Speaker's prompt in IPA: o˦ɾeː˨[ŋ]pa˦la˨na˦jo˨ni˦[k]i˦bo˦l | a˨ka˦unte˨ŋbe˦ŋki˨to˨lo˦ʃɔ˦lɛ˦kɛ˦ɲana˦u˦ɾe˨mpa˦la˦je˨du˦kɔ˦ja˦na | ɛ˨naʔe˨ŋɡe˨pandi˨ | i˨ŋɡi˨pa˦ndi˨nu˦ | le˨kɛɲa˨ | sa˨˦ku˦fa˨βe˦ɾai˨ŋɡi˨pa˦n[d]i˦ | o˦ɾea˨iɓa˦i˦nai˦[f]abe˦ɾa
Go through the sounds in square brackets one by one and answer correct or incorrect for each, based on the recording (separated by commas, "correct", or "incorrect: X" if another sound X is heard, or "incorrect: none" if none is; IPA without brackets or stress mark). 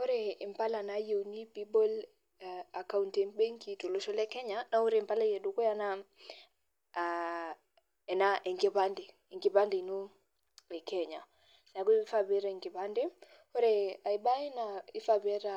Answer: incorrect: m, incorrect: p, correct, correct